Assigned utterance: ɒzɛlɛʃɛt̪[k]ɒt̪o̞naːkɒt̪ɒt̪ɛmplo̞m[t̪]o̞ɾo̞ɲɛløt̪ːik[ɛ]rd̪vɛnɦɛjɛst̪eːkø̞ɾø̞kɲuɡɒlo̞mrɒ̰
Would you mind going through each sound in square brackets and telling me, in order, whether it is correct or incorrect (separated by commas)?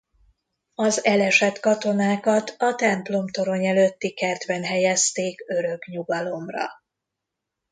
correct, correct, correct